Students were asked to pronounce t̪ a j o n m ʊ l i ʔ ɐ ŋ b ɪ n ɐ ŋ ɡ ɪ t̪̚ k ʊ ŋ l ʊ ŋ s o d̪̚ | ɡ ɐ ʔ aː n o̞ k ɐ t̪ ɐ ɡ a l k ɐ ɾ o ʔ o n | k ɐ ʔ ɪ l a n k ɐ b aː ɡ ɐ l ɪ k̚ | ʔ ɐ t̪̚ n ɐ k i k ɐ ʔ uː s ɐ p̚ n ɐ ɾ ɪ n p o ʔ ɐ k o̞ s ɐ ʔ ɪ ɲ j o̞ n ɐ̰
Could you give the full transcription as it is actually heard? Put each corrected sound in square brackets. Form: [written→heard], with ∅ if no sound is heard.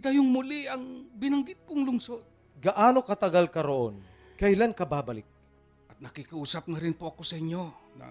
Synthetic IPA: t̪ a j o [n→ŋ] m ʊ l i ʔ ɐ ŋ b ɪ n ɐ ŋ ɡ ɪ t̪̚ k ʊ ŋ l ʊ ŋ s o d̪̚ | ɡ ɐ ʔ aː n o̞ k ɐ t̪ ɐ ɡ a l k ɐ ɾ o ʔ o n | k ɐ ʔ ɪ l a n k ɐ b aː [ɡ→b] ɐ l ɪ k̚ | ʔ ɐ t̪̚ n ɐ k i k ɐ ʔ uː s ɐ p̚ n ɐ ɾ ɪ n p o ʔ ɐ k o̞ s ɐ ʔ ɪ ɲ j o̞ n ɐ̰